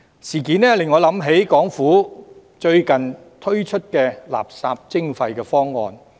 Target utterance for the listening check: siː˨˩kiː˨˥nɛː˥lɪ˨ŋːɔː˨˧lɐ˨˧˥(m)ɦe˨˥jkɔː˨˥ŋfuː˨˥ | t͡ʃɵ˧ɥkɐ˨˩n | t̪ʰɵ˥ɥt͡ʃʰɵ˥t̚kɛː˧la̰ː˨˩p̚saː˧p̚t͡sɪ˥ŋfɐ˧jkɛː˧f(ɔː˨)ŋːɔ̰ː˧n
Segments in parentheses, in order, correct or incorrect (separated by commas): correct, incorrect